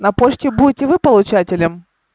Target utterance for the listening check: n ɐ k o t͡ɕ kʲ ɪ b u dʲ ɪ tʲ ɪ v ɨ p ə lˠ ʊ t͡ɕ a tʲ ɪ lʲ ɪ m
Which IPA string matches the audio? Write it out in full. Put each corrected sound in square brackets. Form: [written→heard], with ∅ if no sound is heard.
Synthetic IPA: n ɐ [k→p] o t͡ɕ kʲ ɪ b u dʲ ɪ tʲ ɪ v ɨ p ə lˠ ʊ t͡ɕ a tʲ ɪ lʲ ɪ m

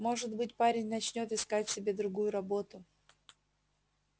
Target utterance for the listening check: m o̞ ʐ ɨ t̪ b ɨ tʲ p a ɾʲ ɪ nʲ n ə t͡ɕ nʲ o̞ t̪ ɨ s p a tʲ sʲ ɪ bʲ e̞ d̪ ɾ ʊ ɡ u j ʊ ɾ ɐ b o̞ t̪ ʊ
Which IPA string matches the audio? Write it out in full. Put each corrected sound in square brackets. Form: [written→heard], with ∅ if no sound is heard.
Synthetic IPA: m o̞ ʐ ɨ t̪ b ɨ tʲ p a ɾʲ ɪ nʲ n [ə→ɐ] t͡ɕ nʲ o̞ t̪ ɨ s [p→k] a tʲ sʲ ɪ bʲ e̞ d̪ ɾ ʊ ɡ u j ʊ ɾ ɐ b o̞ t̪ ʊ

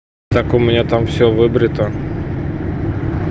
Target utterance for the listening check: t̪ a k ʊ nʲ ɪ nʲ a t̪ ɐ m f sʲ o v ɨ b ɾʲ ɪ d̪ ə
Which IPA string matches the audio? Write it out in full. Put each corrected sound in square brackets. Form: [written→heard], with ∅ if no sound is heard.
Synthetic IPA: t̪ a k ʊ [nʲ→mʲ] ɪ nʲ a t̪ [ɐ→a] m f sʲ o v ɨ b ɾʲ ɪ [d̪→t̪] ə

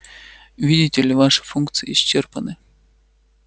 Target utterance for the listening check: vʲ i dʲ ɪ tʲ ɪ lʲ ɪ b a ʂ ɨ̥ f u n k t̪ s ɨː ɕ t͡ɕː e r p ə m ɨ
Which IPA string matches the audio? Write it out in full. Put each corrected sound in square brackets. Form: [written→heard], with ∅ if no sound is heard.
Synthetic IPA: vʲ i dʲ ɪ tʲ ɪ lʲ ɪ [b→v] a ʂ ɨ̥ f u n k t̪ s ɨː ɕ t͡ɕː e r p ə [m→n] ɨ

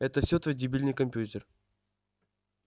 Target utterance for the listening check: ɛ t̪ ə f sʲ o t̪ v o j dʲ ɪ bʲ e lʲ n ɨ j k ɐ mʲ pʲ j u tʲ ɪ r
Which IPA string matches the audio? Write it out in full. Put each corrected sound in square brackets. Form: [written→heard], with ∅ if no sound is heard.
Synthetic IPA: ɛ t̪ ə f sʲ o t̪ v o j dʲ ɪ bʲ [e→i] lʲ n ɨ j k ɐ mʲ pʲ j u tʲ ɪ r

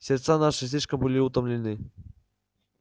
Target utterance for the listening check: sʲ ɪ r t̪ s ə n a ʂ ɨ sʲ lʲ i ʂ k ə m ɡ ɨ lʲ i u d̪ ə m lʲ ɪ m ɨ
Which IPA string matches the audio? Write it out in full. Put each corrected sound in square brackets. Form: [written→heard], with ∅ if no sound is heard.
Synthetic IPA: sʲ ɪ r t̪ s [ə→a] n a ʂ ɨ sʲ lʲ i ʂ k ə m [ɡ→b] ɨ lʲ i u [d̪→t̪] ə m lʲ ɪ [m→n] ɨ

